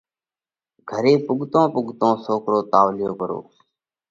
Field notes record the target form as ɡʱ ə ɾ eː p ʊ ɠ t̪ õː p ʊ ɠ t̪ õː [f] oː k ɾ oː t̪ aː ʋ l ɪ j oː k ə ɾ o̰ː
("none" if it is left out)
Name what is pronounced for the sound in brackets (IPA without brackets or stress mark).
s